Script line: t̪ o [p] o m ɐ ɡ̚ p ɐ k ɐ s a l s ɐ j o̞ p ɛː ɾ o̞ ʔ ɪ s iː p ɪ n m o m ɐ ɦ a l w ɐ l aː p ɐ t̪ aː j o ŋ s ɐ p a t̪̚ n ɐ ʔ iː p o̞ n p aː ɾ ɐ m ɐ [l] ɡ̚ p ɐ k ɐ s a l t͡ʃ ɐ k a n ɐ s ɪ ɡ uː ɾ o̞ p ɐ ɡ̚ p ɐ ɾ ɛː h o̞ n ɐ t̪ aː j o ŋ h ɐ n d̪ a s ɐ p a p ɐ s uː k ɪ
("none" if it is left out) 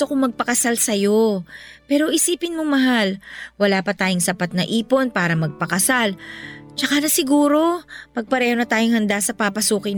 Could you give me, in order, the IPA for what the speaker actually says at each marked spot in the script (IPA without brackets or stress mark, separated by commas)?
k, none